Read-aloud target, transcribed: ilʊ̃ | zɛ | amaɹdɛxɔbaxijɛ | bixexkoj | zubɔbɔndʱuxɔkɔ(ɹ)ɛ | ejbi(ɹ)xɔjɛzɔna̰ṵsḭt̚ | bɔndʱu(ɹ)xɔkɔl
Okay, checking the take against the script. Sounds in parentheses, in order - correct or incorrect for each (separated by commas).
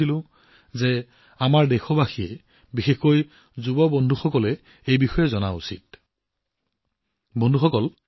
incorrect, incorrect, incorrect